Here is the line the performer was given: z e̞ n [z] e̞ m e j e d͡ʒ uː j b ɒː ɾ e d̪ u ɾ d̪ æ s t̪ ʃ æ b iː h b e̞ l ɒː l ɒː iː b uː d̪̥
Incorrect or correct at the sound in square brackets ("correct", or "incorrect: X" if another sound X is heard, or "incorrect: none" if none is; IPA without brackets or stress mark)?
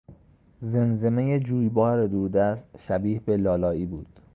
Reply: correct